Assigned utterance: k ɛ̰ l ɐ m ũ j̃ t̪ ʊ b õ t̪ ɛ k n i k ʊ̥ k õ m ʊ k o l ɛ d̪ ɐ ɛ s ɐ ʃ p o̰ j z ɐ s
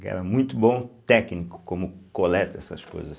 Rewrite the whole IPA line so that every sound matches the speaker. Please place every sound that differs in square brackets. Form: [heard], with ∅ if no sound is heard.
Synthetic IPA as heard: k ɛ̰ [ɾ] ɐ m ũ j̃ t̪ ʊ b õ t̪ ɛ k n i k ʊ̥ k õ m ʊ k o l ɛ [t̪] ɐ ɛ s ɐ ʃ [k] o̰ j z ɐ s